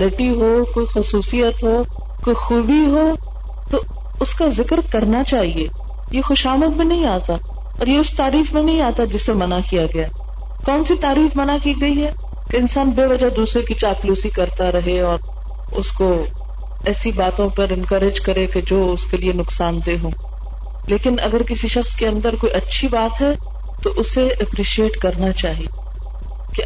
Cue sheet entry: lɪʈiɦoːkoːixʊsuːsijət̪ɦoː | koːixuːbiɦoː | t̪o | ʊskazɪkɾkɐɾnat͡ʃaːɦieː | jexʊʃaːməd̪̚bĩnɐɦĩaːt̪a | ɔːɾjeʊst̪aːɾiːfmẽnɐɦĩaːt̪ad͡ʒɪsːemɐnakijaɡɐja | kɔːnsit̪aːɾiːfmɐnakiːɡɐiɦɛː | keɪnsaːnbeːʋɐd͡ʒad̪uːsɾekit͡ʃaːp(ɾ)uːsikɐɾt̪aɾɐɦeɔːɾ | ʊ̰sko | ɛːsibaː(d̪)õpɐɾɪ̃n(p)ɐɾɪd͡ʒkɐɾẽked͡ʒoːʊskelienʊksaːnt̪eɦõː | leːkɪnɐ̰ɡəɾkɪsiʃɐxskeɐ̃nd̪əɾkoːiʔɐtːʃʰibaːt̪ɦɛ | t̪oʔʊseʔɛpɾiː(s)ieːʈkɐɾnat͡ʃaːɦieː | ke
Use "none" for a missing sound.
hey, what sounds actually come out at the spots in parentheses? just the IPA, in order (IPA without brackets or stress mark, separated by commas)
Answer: l, t̪, k, ʃ